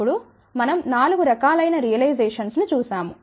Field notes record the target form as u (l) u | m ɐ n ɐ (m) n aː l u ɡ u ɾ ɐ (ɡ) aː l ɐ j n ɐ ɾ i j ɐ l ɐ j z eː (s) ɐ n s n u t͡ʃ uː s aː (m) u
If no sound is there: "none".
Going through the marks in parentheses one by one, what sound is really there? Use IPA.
ɽ, m, k, ʂ, m

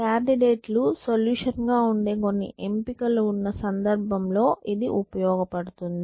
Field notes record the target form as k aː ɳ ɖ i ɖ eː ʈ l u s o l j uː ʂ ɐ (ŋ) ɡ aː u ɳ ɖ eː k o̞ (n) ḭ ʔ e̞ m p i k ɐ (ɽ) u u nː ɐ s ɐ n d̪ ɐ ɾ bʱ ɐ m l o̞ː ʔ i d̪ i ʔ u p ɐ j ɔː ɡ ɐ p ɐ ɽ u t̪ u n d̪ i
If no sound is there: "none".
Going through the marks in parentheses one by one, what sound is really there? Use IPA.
n, nː, l

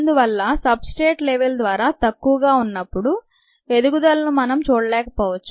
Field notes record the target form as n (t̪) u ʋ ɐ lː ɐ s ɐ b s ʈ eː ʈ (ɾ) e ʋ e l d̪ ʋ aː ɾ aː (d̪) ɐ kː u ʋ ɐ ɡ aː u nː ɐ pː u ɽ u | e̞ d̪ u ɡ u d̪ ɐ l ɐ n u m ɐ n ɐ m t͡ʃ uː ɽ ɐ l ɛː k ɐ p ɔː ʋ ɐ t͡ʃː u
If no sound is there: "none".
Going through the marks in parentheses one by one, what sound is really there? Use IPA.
d̪, l, t̪

